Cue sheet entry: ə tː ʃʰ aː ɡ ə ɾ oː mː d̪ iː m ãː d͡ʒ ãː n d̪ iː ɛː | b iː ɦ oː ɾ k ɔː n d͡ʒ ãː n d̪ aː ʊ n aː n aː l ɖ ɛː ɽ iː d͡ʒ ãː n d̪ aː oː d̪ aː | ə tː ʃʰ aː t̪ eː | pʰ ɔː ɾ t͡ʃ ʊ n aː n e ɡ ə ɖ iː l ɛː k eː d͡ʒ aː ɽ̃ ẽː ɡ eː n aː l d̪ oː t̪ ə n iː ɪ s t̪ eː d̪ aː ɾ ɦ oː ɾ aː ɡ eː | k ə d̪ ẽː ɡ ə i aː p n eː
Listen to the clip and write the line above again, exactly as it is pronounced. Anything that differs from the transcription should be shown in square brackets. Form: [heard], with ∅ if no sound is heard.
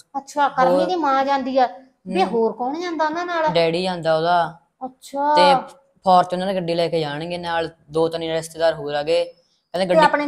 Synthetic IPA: ə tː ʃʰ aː [k] ə ɾ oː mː d̪ iː m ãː d͡ʒ ãː n d̪ iː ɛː | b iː ɦ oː ɾ k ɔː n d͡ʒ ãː n d̪ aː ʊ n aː n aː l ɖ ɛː ɽ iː d͡ʒ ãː n d̪ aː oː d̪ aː | ə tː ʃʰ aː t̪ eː | pʰ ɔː ɾ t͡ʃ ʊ n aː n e ɡ ə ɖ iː l ɛː k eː d͡ʒ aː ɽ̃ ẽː ɡ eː n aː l d̪ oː t̪ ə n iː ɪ s t̪ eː d̪ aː ɾ ɦ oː ɾ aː ɡ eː | k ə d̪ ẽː ɡ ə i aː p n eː